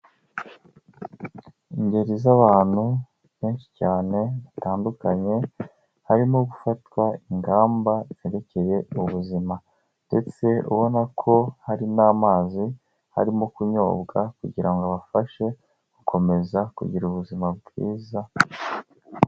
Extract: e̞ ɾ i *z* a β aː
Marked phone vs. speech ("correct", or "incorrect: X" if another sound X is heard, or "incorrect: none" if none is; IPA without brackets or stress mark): correct